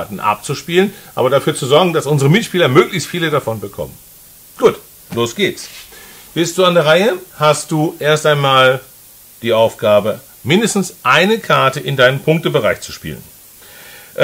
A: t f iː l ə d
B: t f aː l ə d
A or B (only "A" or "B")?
A